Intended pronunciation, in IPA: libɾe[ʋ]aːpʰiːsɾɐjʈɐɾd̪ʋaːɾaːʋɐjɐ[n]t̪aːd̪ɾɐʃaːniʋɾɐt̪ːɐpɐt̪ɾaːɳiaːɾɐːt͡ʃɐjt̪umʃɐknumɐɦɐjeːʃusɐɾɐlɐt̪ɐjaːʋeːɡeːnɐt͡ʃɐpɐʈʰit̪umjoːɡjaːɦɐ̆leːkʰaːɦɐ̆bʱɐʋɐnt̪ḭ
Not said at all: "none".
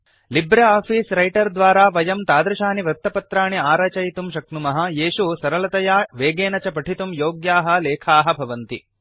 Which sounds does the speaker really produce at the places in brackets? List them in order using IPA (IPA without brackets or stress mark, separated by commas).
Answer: none, m